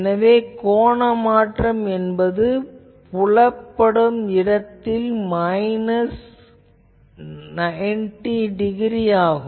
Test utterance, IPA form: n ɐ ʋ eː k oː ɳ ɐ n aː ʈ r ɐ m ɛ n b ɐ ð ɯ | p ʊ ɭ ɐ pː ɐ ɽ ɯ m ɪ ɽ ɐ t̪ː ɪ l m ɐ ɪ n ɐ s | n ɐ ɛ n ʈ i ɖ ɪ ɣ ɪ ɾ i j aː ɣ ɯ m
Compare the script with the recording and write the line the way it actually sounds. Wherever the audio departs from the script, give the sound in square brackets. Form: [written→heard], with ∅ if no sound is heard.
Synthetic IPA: n ɐ ʋ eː k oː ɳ ɐ [n→m] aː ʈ r ɐ m ɛ n b ɐ ð ɯ | p ʊ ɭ ɐ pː ɐ ɽ ɯ m ɪ ɽ ɐ t̪ː ɪ l m ɐ ɪ n ɐ s | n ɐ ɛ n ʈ i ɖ ɪ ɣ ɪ ɾ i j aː ɣ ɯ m